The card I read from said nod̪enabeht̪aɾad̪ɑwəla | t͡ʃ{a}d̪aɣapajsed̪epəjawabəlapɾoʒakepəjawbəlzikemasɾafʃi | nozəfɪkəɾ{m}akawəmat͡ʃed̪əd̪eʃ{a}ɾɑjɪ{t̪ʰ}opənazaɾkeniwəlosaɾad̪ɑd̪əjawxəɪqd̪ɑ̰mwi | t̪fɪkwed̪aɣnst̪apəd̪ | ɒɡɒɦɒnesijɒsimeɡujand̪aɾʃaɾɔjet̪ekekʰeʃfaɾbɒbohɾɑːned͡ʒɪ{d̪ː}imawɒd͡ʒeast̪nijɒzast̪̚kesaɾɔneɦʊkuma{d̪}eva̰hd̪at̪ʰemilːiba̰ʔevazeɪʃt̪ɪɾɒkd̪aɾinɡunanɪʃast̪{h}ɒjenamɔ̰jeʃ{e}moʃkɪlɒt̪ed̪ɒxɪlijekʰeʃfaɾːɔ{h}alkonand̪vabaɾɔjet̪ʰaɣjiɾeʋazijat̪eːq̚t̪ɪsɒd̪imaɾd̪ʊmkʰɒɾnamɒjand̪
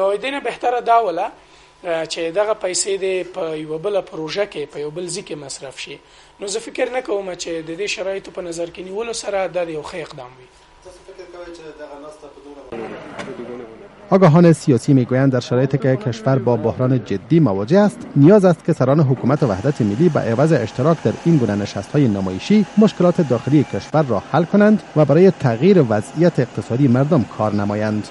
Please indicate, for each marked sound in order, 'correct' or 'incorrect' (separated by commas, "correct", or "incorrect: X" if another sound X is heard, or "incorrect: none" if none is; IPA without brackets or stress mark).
incorrect: e, incorrect: n, correct, incorrect: t̪, correct, incorrect: t̪, correct, incorrect: i, correct